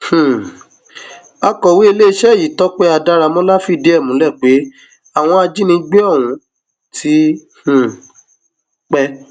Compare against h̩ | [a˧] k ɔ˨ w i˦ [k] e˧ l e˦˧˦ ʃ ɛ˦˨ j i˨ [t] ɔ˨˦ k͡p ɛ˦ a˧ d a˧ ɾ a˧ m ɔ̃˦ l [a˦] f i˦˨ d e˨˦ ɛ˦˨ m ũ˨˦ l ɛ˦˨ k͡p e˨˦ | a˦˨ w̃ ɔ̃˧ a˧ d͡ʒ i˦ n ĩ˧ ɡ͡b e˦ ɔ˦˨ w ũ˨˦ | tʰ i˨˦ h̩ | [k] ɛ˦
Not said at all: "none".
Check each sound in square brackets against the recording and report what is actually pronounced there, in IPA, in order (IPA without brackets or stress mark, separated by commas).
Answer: a˧, none, t, a˦, k͡p